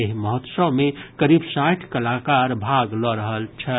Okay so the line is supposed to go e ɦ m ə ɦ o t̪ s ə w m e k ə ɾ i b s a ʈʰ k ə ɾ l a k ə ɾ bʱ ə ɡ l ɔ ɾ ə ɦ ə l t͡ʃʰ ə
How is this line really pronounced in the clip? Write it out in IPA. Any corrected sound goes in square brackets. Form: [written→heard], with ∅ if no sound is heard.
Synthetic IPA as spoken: e ɦ m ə ɦ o t̪ s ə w m e k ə ɾ i b s a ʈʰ k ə [ɾ→∅] l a k [ə→a] ɾ bʱ [ə→a] ɡ l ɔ ɾ ə ɦ ə l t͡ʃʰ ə